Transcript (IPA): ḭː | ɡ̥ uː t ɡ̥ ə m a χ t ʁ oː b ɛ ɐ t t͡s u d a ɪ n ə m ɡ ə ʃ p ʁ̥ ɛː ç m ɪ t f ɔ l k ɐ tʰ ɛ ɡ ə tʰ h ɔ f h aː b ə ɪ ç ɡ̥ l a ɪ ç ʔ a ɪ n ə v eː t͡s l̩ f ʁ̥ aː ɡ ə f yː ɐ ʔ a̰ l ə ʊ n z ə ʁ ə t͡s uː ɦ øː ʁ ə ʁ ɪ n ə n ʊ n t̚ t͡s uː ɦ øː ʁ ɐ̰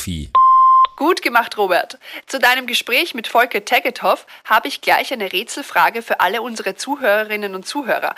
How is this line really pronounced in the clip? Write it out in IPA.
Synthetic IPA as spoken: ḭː | ɡ̥ uː t ɡ̥ ə m a χ t ʁ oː b ɛ ɐ t t͡s u d a ɪ n ə m ɡ ə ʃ p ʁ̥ ɛː ç m ɪ t f ɔ l k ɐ tʰ ɛ ɡ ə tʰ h ɔ f h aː b ə ɪ ç ɡ̥ l a ɪ ç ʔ a ɪ n ə ʁ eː t͡s l̩ f ʁ̥ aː ɡ ə f yː ɐ ʔ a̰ l ə ʊ n z ə ʁ ə t͡s uː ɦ øː ʁ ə ʁ ɪ n ə n ʊ n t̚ t͡s uː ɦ øː ʁ ɐ̰